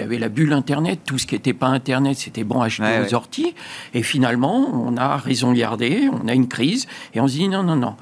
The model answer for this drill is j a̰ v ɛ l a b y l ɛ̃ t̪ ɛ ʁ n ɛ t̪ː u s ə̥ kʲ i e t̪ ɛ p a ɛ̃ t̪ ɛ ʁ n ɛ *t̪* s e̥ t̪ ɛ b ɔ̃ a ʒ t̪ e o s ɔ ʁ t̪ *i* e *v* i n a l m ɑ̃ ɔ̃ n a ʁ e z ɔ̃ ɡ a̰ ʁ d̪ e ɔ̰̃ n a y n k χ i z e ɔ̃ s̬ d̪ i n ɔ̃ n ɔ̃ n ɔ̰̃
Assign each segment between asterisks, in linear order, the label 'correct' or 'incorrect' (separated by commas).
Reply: correct, correct, incorrect